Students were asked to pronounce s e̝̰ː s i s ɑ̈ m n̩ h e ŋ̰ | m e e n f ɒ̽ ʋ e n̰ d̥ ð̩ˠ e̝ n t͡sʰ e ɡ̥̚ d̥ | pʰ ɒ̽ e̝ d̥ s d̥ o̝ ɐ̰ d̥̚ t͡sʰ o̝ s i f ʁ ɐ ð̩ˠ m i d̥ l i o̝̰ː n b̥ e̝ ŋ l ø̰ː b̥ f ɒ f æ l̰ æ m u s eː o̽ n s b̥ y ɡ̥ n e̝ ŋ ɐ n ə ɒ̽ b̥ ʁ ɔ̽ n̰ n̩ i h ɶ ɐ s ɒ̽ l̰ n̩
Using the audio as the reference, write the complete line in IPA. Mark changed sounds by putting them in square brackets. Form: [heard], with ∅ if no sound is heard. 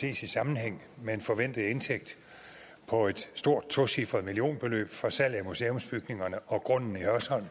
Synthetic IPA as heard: s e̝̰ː s i s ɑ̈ m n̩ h e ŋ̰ | m e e n f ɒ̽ ʋ e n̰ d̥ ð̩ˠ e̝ n t͡sʰ e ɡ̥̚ d̥ | pʰ ɒ̽ e̝ d̥ s d̥ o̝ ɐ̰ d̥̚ t͡sʰ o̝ s i f ʁ ɐ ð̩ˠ m i [∅] l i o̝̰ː n b̥ e̝ [∅] l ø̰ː b̥ f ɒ [s] æ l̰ æ m u s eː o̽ [m] s b̥ y ɡ̥ n e̝ ŋ ɐ n ə ɒ̽ [ɡ̥] ʁ ɔ̽ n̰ n̩ i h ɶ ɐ s ɒ̽ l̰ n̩